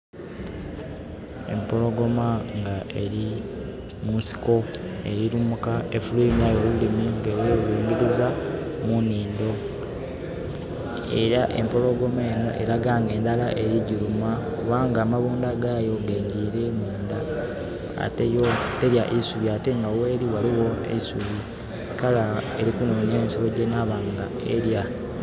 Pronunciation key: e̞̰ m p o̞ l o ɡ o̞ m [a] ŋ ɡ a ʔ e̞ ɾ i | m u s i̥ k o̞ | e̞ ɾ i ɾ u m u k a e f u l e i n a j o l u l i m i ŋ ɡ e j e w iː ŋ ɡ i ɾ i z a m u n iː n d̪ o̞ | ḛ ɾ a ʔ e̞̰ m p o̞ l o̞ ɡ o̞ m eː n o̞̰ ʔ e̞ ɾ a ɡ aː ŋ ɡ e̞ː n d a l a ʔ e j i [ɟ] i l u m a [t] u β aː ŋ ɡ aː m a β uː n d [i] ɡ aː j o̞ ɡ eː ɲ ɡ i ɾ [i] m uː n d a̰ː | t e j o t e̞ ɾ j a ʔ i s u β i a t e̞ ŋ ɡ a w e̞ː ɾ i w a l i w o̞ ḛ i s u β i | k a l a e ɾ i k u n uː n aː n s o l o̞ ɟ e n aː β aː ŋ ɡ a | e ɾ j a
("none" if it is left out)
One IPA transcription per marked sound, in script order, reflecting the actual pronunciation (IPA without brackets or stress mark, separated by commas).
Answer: a, ɟ, k, a, e